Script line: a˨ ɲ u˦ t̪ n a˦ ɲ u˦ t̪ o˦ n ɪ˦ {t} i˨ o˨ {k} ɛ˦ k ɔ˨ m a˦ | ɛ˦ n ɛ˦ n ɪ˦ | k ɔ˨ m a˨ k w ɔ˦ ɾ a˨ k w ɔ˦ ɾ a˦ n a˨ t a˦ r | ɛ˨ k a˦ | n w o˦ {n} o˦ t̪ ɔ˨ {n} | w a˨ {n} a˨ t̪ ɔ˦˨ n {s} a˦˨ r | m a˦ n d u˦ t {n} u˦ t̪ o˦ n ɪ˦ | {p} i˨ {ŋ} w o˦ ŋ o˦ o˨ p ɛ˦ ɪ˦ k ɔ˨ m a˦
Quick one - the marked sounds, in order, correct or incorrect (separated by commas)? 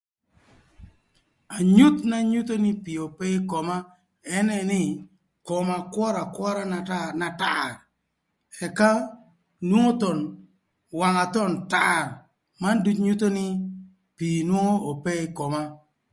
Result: incorrect, incorrect, incorrect, correct, incorrect, incorrect, incorrect, correct, incorrect